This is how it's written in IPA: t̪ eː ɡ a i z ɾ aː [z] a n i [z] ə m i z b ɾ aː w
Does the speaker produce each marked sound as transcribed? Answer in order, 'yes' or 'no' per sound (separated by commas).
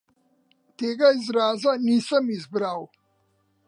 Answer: yes, no